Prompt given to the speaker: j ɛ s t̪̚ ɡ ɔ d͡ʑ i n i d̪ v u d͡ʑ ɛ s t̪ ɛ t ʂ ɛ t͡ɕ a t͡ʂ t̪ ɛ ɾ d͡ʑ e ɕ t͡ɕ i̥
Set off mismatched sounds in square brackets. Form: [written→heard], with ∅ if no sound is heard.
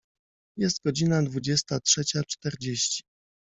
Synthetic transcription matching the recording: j ɛ s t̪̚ ɡ ɔ d͡ʑ i n [i→a] d̪ v u d͡ʑ ɛ s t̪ [ɛ→a] t ʂ ɛ t͡ɕ a t͡ʂ t̪ ɛ ɾ d͡ʑ e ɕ t͡ɕ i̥